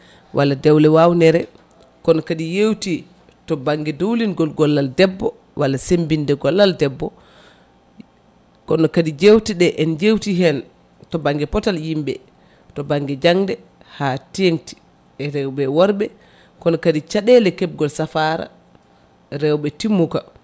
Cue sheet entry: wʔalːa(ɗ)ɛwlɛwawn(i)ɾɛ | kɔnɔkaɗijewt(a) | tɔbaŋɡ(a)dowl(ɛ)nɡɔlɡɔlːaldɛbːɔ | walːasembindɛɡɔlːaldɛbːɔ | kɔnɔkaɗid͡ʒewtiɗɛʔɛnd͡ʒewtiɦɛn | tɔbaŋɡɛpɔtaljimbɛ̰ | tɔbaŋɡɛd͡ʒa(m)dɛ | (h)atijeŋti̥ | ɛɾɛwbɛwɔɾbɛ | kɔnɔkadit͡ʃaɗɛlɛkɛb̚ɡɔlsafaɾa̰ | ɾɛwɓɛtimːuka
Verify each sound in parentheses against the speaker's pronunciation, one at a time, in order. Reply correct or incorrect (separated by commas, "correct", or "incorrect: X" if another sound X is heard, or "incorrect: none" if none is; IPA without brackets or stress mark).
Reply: incorrect: d, incorrect: ɛ, incorrect: i, incorrect: ɛ, incorrect: i, incorrect: ŋ, correct